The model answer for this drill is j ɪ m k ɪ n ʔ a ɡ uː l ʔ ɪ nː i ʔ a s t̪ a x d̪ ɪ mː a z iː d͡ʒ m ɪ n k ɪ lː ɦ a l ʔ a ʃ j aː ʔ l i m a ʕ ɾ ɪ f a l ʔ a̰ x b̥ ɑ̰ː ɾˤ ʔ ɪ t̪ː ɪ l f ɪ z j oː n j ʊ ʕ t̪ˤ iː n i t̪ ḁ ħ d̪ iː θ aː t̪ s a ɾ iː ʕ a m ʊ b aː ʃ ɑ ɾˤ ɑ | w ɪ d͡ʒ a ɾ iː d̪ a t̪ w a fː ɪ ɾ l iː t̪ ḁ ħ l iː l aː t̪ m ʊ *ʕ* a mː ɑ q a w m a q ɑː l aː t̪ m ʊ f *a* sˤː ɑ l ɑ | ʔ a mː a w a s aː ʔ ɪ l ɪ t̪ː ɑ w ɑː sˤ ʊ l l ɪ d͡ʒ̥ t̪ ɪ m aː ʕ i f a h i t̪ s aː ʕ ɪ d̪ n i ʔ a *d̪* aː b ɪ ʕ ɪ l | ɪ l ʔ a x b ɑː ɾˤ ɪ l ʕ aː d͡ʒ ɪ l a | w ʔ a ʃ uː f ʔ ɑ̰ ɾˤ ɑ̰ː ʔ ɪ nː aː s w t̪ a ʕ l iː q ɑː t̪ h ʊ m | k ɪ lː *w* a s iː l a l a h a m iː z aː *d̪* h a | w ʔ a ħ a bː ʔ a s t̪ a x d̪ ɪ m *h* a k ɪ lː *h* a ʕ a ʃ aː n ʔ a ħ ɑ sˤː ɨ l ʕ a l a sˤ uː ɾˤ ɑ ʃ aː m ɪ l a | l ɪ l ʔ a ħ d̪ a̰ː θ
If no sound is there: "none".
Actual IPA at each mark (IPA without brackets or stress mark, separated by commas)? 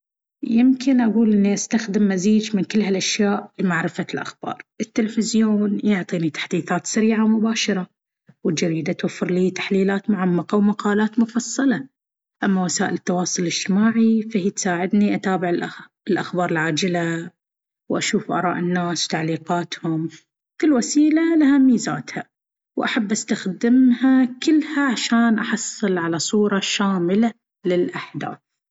ʕ, ɑ, t̪, w, t̪, h, h